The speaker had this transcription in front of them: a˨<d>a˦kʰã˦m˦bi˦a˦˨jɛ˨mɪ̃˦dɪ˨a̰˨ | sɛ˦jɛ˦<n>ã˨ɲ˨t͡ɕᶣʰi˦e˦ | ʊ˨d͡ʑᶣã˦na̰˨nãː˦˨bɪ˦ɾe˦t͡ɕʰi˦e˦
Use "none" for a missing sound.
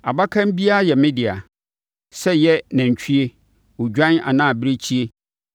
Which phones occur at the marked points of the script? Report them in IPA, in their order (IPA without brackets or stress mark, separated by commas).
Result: b, n